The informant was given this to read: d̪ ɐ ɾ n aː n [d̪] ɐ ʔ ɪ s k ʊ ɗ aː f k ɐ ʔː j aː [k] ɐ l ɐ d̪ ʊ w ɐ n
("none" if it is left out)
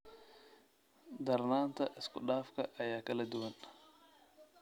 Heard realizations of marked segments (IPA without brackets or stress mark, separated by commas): t̪, k